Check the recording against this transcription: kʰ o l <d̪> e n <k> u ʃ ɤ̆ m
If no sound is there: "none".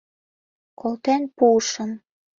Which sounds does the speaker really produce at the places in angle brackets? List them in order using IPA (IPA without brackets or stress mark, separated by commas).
t̪, p